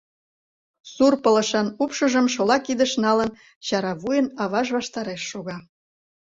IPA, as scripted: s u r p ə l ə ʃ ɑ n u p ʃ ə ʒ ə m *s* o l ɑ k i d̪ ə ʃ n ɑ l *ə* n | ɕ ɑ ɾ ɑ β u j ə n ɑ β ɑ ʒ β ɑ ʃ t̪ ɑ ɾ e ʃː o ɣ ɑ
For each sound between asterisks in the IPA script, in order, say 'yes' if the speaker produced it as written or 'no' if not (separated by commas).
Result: no, yes